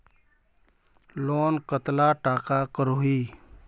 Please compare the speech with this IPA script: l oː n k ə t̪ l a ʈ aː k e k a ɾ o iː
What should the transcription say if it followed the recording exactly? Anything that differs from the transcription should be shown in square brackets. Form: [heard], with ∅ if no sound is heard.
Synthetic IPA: l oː n k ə t̪ l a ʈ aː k [a] k [ə] ɾ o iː